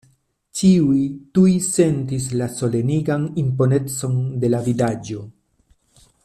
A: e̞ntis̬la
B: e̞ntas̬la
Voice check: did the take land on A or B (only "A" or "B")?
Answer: A